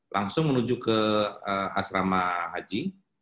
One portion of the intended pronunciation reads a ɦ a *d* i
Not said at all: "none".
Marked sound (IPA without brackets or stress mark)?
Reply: d͡ʒ